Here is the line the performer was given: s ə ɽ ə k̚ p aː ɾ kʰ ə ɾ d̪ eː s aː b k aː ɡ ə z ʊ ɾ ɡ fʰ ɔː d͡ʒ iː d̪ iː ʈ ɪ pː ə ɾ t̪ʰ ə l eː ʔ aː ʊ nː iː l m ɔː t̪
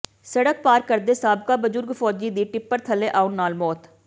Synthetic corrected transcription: s ə ɽ ə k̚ p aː ɾ k ə ɾ d̪ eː s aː b k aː b ə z ʊ ɾ ɡ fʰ ɔː d͡ʒ iː d̪ iː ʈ ɪ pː ə ɾ t̪ʰ ə l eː ʔ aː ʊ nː aː l m ɔː t̪